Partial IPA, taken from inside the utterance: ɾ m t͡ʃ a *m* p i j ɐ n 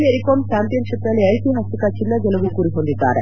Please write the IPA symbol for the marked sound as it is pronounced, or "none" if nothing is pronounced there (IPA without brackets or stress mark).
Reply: m